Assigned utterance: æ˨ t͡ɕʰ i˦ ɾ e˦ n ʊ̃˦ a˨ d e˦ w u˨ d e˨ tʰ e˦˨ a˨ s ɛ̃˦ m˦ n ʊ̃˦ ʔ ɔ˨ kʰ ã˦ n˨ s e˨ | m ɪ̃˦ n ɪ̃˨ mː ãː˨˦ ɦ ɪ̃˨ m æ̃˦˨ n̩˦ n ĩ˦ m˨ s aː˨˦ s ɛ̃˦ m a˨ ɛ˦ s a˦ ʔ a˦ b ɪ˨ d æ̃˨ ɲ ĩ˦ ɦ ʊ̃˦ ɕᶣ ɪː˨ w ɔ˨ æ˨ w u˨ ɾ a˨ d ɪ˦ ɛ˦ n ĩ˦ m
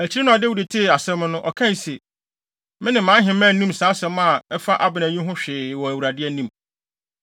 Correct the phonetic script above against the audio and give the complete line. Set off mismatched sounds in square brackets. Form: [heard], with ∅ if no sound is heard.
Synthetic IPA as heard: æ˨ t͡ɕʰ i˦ ɾ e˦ n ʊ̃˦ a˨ d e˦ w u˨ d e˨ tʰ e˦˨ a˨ s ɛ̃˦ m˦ n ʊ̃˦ ʔ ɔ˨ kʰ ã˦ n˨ s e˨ | m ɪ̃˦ n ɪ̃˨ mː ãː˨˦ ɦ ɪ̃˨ m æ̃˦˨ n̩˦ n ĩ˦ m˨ s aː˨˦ s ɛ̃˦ m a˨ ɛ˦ [f] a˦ ʔ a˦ b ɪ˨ [n] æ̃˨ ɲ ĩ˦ ɦ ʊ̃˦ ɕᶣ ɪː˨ w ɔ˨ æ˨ w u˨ ɾ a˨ d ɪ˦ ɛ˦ n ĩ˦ m